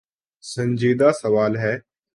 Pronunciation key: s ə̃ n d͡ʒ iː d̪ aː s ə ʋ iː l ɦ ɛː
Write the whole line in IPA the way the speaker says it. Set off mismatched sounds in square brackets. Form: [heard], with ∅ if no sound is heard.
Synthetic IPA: s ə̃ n d͡ʒ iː d̪ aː s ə ʋ [aː] l ɦ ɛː